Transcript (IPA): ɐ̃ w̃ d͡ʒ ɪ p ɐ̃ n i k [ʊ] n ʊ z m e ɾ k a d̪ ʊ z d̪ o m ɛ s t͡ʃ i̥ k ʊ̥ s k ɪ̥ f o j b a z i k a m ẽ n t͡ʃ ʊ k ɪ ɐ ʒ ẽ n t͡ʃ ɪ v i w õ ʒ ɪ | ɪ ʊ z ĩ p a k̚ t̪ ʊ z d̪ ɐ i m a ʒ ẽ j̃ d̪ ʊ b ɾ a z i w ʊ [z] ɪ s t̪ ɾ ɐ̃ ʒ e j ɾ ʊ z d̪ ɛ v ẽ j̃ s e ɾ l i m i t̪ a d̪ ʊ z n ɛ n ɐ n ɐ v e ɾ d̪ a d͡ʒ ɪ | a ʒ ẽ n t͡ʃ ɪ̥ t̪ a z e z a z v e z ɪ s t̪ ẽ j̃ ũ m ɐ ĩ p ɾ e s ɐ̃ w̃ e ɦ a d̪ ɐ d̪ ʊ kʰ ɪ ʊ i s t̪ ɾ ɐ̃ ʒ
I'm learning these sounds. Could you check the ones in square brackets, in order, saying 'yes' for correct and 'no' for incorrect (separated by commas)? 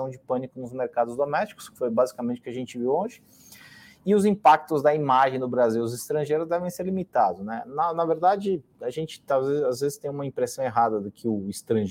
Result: yes, yes